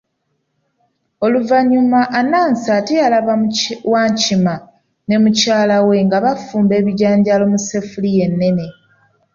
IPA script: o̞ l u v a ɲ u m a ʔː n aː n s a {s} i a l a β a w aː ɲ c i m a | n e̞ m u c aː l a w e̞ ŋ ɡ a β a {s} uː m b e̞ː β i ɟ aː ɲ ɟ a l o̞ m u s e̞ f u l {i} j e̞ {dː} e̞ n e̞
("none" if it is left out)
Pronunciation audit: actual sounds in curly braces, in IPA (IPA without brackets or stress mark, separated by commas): t, f, i, nː